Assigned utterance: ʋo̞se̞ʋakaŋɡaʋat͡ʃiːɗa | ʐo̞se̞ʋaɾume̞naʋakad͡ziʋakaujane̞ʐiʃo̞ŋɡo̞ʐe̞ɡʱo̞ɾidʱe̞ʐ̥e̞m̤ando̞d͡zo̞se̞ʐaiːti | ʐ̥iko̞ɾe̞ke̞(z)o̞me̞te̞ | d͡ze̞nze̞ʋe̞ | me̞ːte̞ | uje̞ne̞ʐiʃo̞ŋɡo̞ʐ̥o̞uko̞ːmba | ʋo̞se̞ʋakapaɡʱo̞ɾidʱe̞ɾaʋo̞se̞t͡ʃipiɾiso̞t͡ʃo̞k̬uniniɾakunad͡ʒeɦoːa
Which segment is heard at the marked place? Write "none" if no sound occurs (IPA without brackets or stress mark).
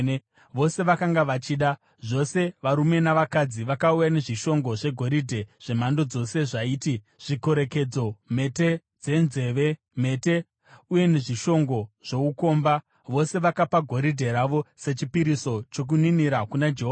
d͡z